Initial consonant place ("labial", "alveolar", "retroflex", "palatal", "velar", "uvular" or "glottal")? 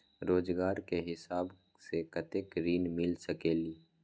alveolar